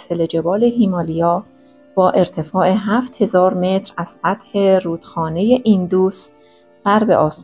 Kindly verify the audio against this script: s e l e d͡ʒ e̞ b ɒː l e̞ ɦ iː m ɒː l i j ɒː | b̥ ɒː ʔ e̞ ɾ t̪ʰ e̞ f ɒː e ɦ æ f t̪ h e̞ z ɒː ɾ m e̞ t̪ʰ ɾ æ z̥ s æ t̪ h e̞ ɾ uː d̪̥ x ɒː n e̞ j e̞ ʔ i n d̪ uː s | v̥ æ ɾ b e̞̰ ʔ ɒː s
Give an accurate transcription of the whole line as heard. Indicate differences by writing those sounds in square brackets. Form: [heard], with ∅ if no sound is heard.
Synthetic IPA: s e l e d͡ʒ e̞ b ɒː l e̞ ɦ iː m ɒː l i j ɒː | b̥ ɒː ʔ e̞ ɾ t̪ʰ e̞ f ɒː e ɦ æ f t̪ h e̞ z ɒː ɾ m e̞ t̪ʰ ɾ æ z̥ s æ t̪ h e̞ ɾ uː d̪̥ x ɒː n e̞ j e̞ ʔ i n d̪ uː s | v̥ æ ɾ b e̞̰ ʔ ɒː s